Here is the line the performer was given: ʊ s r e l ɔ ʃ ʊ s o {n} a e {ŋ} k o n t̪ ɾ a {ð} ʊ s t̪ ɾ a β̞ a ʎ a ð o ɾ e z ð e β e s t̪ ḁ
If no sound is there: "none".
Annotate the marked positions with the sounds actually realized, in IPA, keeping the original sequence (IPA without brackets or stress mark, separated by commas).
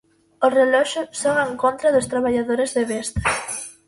ŋ, ŋ, ð